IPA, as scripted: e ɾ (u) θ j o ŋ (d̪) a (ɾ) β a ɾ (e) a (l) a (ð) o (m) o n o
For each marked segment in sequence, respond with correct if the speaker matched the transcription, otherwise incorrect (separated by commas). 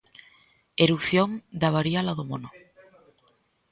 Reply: correct, correct, incorrect, incorrect, correct, correct, correct